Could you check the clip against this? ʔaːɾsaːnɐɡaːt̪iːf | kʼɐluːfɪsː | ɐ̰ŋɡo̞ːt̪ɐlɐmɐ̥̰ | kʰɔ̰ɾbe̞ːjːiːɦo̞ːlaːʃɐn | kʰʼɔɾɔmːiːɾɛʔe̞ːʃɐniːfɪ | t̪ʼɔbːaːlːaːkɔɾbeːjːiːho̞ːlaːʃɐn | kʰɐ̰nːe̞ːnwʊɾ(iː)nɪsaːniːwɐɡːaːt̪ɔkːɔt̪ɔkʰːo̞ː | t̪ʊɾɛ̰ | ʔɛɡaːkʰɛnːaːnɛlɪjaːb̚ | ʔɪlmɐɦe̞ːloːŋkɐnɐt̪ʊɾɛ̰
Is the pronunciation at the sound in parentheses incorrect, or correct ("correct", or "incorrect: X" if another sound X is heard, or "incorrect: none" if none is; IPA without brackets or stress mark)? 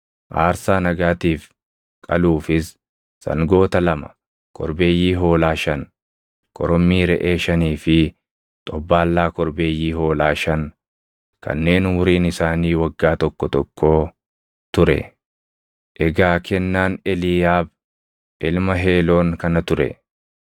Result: correct